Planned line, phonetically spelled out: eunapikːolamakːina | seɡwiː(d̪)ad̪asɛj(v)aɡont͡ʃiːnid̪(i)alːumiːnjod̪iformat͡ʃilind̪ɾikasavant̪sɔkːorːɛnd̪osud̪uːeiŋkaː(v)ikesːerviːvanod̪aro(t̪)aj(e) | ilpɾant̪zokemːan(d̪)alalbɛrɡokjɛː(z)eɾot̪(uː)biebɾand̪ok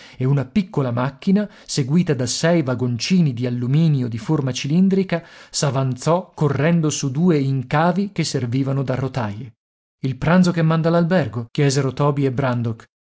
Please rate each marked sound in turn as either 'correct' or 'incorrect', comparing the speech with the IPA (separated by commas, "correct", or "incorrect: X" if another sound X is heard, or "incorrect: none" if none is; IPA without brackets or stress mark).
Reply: incorrect: t̪, correct, correct, correct, correct, correct, correct, correct, incorrect: ɔː